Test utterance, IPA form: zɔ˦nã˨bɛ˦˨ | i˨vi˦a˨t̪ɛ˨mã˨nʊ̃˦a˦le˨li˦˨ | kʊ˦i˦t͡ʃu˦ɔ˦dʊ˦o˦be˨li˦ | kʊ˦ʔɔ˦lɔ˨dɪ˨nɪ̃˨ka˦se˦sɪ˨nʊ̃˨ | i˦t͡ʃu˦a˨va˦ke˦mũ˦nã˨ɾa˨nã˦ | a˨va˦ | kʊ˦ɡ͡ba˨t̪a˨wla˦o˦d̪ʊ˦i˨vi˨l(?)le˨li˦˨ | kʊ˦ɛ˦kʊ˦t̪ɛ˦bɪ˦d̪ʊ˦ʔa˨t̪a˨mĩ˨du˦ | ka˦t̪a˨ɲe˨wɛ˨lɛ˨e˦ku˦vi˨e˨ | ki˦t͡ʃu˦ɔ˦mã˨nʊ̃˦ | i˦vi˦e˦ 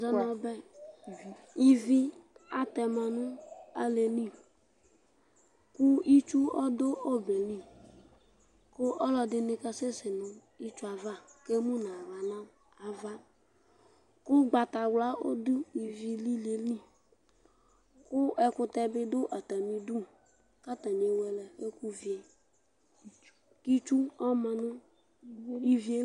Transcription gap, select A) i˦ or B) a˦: A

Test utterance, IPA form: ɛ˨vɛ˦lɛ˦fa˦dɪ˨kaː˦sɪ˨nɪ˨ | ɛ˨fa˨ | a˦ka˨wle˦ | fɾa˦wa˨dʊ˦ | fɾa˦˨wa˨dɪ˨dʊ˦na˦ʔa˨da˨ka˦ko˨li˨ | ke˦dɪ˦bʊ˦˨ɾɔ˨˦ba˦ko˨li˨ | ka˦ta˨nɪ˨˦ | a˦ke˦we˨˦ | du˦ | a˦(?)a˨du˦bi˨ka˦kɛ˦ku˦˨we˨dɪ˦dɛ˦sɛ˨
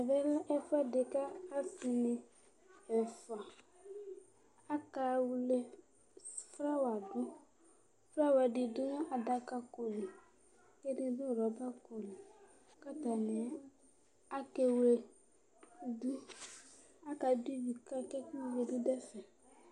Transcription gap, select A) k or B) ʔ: A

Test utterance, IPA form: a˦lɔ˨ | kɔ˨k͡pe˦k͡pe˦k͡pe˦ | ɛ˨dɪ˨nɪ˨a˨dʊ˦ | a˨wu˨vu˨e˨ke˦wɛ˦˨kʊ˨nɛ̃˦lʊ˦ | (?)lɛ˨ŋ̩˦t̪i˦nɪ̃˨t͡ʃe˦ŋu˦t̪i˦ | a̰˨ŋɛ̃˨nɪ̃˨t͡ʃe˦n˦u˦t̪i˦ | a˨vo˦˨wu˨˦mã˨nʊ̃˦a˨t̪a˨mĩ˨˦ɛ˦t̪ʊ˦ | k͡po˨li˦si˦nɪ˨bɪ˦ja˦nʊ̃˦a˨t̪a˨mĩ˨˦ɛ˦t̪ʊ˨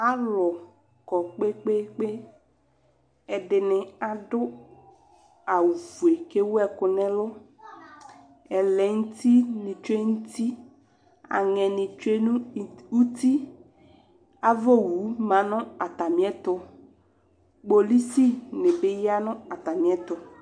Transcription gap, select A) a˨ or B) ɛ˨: B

